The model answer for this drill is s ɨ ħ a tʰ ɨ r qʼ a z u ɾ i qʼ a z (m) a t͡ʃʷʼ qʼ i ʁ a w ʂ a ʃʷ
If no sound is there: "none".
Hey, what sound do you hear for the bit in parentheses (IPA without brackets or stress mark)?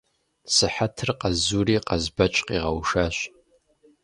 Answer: b